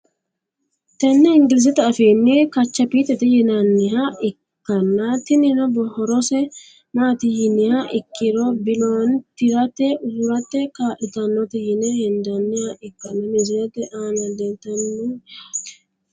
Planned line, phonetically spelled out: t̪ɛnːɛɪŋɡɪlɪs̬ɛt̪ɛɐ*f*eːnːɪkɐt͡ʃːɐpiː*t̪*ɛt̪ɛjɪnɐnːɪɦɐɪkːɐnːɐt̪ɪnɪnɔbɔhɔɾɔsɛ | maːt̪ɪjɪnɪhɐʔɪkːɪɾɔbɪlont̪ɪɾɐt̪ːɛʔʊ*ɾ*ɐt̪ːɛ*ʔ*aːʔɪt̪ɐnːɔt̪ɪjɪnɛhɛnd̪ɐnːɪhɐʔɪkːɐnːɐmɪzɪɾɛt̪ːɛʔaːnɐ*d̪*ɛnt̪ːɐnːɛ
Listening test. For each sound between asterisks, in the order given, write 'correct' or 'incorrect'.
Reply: correct, correct, correct, incorrect, correct

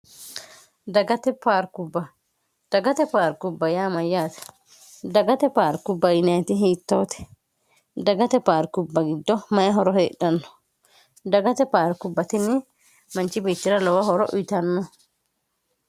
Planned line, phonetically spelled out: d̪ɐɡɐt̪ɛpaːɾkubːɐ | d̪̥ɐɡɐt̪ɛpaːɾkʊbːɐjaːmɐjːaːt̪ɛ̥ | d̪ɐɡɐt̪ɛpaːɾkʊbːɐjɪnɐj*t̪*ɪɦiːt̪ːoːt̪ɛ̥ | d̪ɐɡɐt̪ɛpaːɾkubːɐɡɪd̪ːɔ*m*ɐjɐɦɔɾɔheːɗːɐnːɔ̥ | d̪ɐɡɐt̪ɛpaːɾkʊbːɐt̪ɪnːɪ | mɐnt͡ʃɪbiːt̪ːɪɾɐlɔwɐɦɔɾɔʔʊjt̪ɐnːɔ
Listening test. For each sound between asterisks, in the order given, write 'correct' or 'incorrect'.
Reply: correct, correct

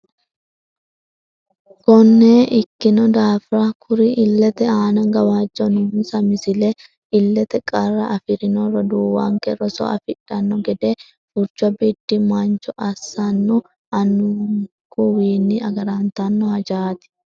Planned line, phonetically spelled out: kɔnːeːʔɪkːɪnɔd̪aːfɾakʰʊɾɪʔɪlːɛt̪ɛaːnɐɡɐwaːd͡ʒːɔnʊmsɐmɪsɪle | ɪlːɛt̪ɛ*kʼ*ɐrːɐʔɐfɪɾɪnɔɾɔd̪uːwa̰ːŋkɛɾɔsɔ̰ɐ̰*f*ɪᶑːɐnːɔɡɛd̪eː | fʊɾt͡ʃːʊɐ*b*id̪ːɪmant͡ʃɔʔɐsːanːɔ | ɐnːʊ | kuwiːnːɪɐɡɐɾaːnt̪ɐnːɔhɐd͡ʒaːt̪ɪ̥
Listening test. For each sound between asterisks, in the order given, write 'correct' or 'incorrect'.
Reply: correct, correct, correct

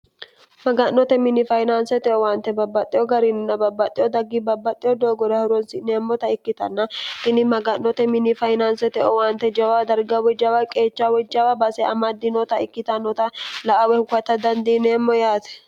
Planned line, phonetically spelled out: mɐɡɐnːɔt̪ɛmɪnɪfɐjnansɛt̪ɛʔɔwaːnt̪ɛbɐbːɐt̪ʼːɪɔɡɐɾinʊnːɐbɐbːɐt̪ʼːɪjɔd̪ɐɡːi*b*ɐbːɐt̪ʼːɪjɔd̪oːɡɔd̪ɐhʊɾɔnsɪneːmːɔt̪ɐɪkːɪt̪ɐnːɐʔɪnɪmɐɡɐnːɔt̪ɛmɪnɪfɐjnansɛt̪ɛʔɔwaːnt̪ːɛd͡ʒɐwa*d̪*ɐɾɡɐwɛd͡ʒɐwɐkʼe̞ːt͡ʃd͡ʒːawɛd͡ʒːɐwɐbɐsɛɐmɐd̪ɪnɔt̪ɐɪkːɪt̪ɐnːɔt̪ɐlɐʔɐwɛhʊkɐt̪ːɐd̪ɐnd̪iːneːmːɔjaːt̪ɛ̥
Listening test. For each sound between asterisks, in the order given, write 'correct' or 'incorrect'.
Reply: correct, correct

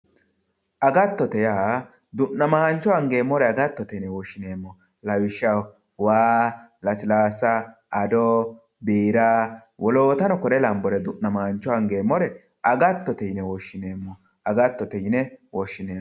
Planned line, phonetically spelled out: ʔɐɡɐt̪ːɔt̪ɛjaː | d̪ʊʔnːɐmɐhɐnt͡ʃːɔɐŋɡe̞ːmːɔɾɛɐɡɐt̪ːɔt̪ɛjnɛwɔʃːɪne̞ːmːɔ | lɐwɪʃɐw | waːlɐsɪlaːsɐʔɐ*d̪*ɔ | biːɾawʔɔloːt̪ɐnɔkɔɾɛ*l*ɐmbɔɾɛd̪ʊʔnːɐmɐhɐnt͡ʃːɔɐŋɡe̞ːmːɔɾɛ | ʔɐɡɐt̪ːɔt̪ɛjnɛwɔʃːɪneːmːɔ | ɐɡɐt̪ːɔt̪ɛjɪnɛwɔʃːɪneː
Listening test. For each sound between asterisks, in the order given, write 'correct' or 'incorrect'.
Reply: correct, correct

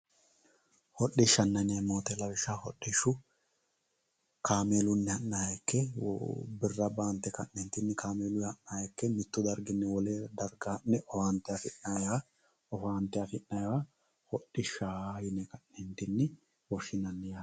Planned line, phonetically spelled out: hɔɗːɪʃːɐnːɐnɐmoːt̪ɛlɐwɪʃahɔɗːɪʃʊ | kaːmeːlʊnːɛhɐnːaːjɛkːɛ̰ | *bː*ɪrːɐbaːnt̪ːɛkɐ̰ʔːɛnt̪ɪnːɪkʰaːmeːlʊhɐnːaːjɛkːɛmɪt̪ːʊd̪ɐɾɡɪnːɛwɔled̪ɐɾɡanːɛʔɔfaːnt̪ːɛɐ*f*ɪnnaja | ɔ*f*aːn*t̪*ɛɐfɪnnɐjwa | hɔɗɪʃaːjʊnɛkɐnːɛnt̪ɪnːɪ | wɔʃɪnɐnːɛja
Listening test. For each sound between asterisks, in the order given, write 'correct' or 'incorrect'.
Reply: incorrect, correct, correct, correct

